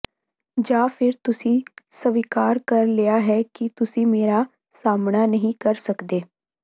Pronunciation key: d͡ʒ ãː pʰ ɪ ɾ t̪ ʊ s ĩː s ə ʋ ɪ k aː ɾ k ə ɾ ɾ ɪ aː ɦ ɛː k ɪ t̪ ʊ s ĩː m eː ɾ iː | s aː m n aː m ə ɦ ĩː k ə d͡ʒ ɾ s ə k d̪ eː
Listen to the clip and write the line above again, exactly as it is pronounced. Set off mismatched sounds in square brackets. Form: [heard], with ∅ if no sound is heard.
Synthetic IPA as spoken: d͡ʒ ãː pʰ ɪ ɾ t̪ ʊ s ĩː s ə ʋ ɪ k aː ɾ k ə ɾ [l] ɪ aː ɦ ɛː k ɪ t̪ ʊ s ĩː m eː ɾ [aː] | s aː m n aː [n] ə ɦ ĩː k ə [∅] ɾ s ə k d̪ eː